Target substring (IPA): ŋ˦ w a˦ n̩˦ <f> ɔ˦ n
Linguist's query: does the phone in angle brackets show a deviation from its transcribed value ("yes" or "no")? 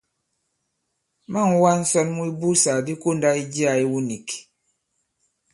yes